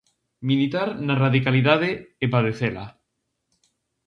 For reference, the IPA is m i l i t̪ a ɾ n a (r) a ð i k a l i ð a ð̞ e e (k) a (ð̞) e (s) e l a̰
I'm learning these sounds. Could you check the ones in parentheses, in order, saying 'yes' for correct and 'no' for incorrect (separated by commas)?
yes, no, yes, no